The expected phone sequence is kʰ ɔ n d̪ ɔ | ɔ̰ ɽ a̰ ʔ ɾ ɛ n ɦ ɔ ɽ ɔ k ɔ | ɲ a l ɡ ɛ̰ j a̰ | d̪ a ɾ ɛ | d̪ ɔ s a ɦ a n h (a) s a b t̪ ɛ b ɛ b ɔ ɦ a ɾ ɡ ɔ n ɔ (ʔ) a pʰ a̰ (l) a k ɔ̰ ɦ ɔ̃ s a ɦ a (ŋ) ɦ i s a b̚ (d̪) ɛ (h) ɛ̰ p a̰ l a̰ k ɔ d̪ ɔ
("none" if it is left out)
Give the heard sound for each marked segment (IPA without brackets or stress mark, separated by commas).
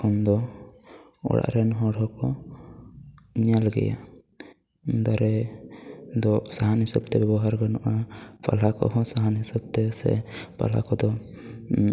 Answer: i, ʔ, l, n, t̪, s